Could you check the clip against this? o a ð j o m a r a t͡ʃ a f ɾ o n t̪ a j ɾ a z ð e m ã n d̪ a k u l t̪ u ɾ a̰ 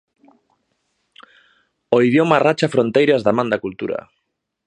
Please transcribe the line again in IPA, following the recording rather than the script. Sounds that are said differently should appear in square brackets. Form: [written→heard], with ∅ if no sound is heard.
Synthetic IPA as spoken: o [a→i] ð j o m a r a t͡ʃ a f ɾ o n t̪ [a→e] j ɾ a z ð [e→a] m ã n d̪ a k u l t̪ u ɾ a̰